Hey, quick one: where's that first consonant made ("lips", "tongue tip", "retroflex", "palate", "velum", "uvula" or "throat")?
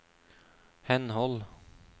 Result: throat